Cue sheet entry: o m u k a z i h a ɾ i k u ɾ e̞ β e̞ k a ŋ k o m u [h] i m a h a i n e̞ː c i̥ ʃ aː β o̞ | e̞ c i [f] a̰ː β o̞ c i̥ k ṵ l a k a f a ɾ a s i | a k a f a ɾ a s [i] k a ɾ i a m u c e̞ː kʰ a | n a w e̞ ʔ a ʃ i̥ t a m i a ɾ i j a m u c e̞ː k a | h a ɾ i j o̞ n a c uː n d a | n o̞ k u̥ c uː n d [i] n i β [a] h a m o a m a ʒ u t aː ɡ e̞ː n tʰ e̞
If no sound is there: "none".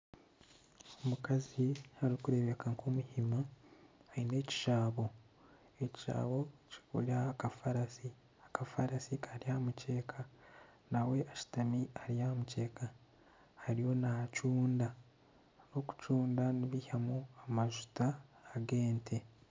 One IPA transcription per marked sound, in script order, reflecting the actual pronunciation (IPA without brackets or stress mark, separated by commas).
h, ʃ, i, a, i